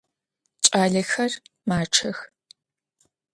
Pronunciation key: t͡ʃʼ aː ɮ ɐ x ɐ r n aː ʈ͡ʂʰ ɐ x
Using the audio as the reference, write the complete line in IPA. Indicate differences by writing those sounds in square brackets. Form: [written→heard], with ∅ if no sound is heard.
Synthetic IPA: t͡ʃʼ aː ɮ ɐ x ɐ r [n→m] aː ʈ͡ʂʰ ɐ x